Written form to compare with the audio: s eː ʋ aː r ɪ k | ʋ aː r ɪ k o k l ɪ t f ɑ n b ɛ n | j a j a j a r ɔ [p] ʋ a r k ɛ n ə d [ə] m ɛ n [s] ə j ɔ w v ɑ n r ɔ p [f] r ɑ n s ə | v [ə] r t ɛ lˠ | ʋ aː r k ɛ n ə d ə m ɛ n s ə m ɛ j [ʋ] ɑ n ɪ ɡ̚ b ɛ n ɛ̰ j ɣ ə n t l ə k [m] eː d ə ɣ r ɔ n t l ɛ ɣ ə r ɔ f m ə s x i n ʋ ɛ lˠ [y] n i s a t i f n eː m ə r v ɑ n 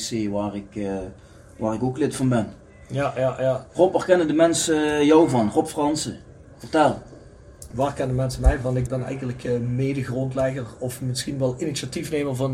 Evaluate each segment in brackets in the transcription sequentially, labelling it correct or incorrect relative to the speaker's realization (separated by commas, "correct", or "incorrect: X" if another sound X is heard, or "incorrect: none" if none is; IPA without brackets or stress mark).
correct, correct, correct, correct, correct, incorrect: v, correct, incorrect: i